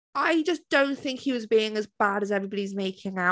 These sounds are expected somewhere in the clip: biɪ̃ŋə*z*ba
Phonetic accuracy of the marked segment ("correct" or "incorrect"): correct